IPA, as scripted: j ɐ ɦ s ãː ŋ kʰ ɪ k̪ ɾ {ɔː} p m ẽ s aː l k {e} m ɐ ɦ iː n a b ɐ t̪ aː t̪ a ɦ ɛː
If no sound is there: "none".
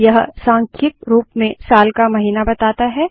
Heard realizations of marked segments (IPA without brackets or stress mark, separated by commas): uː, a